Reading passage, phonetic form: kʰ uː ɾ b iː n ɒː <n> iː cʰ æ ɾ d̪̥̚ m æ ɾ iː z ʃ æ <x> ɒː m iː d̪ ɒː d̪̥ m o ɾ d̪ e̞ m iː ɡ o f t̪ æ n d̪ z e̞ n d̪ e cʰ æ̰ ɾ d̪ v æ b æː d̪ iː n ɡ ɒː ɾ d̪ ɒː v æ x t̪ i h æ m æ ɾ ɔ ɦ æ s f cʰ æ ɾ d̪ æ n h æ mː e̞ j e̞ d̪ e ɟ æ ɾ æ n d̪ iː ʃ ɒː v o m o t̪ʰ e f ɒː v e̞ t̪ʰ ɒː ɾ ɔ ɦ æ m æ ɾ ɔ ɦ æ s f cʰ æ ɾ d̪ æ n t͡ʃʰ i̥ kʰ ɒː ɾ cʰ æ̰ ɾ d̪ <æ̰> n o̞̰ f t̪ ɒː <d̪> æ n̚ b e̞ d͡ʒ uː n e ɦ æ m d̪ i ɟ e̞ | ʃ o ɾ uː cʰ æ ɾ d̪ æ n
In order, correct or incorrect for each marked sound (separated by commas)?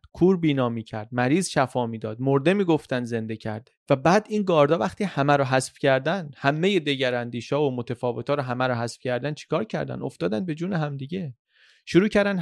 incorrect, incorrect, correct, correct